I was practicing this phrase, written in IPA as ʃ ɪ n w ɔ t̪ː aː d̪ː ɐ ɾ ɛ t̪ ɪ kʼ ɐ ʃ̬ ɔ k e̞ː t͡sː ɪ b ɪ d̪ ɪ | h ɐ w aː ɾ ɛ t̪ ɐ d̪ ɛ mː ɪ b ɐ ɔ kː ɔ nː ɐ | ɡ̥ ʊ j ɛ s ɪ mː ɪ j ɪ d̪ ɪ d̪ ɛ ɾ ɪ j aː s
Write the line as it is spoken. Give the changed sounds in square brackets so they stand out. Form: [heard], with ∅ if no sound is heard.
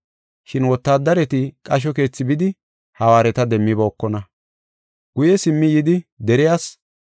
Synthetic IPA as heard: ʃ ɪ n w ɔ t̪ː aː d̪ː ɐ ɾ ɛ t̪ ɪ kʼ ɐ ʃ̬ ɔ k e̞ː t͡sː ɪ b ɪ d̪ ɪ | h ɐ w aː ɾ ɛ t̪ ɐ d̪ ɛ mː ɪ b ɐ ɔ kː ɔ [n] ɐ | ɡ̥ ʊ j ɛ s ɪ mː ɪ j ɪ d̪ ɪ d̪ ɛ ɾ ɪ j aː s

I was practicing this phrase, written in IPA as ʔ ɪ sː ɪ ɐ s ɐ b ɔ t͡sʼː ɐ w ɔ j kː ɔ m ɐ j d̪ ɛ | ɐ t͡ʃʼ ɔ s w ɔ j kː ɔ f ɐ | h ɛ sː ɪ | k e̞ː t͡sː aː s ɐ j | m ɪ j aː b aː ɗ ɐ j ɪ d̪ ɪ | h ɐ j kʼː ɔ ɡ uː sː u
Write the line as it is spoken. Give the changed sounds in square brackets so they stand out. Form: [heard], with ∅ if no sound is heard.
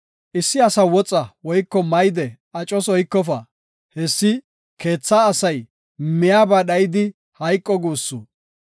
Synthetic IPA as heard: ʔ ɪ sː ɪ ɐ s ɐ [w] ɔ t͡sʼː ɐ w ɔ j kː ɔ m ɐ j d̪ ɛ | ɐ t͡ʃʼ ɔ s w ɔ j kː ɔ f ɐ | h ɛ sː ɪ | k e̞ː t͡sː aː s ɐ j | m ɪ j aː b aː ɗ ɐ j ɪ d̪ ɪ | h ɐ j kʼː ɔ ɡ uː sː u

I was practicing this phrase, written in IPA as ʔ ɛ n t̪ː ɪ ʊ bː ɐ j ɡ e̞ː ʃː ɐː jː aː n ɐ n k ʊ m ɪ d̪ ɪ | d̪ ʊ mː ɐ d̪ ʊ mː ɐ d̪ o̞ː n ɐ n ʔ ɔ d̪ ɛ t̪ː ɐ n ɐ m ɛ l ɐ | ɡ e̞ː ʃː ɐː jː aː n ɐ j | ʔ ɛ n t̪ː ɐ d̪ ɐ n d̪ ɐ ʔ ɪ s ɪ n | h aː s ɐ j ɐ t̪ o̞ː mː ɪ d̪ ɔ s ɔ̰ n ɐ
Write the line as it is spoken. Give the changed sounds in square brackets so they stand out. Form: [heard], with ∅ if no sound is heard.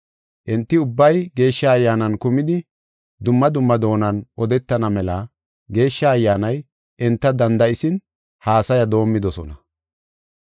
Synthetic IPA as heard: ʔ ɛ n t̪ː ɪ ʊ bː ɐ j ɡ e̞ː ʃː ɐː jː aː n ɐ n k ʊ m ɪ d̪ ɪ | d̪ ʊ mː ɐ d̪ ʊ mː ɐ d̪ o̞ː n ɐ n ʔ ɔ d̪ ɛ t̪ː ɐ n ɐ m ɛ l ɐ | ɡ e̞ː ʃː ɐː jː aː n ɐ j | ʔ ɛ n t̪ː ɐ d̪ ɐ n d̪ ɐ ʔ ɪ s ɪ n | h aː s ɐ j ɐ [d̪] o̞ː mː ɪ d̪ ɔ s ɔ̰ n ɐ

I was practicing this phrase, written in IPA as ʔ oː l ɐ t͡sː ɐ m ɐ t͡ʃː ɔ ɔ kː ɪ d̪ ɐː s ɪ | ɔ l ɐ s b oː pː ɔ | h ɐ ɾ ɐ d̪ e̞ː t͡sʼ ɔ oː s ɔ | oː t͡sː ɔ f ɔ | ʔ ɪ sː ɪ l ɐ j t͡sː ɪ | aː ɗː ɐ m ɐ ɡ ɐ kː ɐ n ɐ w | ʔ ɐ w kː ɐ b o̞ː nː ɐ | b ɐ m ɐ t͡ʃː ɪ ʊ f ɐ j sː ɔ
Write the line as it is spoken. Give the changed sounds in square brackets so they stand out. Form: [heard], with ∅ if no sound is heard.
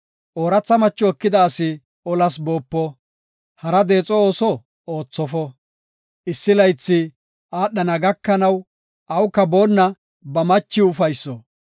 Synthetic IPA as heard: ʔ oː [ɾ] ɐ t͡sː ɐ m ɐ t͡ʃː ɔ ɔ kː ɪ d̪ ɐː s ɪ | ɔ l ɐ s b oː pː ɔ | h ɐ ɾ ɐ d̪ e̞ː t͡sʼ ɔ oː s ɔ | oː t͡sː ɔ f ɔ | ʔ ɪ sː ɪ l ɐ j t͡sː ɪ | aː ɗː ɐ [n] ɐ ɡ ɐ kː ɐ n ɐ w | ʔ ɐ w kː ɐ b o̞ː nː ɐ | b ɐ m ɐ t͡ʃː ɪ ʊ f ɐ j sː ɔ

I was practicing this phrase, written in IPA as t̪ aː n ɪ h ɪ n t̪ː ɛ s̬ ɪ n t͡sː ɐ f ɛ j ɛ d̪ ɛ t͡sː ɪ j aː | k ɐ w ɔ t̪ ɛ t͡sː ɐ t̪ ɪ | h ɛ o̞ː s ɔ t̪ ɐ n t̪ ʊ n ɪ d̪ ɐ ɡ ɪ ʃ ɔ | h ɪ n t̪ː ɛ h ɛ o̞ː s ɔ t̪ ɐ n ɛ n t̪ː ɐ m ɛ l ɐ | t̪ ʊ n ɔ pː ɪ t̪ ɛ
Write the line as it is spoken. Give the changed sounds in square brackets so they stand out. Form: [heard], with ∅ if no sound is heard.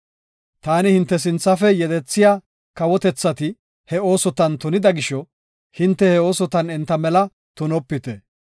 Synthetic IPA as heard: t̪ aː n ɪ h ɪ n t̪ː ɛ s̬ ɪ n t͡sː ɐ f ɛ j ɛ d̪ ɛ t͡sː ɪ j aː | k ɐ w ɔ t̪ ɛ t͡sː ɐ t̪ ɪ | h ɛ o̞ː s ɔ t̪ ɐ n t̪ ʊ n ɪ d̪ ɐ ɡ ɪ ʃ ɔ | h ɪ n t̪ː ɛ h ɛ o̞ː s ɔ t̪ ɐ n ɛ n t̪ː ɐ m ɛ l ɐ | t̪ ʊ n ɔ pː ɪ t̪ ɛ

